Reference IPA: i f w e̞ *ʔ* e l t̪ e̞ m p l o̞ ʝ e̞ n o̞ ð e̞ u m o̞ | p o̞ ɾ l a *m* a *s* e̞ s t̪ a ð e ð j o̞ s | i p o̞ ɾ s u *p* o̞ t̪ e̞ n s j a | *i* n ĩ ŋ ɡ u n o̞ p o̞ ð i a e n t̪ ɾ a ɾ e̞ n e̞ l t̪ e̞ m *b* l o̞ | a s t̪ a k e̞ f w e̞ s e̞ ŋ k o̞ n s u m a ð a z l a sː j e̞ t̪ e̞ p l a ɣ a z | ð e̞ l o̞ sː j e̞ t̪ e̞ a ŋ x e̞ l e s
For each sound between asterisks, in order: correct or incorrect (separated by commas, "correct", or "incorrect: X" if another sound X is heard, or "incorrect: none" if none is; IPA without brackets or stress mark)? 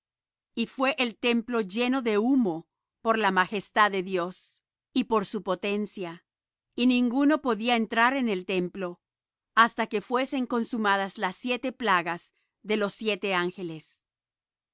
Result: correct, correct, incorrect: x, correct, correct, incorrect: p